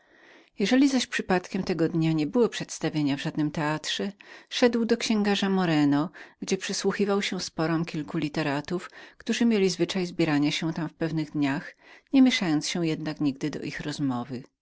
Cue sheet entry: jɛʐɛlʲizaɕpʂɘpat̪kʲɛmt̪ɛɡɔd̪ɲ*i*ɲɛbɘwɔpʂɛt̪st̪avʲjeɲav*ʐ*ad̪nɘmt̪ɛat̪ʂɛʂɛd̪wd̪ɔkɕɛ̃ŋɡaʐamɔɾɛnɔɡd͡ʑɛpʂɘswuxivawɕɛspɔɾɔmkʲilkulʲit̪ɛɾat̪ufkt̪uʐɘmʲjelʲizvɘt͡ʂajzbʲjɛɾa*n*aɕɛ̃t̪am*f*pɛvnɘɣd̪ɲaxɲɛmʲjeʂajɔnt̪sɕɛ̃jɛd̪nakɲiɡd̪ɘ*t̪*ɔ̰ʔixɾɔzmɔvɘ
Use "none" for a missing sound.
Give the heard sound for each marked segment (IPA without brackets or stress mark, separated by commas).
a, ʐ, ɲ, f, d̪